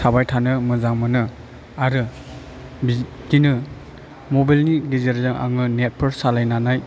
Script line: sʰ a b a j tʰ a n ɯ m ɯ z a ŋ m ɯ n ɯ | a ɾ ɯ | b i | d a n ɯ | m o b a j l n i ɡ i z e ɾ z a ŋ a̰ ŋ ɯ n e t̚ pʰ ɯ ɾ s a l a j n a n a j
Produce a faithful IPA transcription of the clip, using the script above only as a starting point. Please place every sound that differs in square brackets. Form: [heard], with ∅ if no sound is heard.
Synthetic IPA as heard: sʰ a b a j tʰ a n ɯ m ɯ z a ŋ m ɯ n ɯ | a ɾ ɯ | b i | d [i] n ɯ | m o b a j l n i ɡ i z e ɾ z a ŋ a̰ ŋ ɯ n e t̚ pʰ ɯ ɾ s a l a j n a n a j